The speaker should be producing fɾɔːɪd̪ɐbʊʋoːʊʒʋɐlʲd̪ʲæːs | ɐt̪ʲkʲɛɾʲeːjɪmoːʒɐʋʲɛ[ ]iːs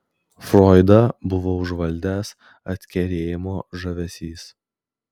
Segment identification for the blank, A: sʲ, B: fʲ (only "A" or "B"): A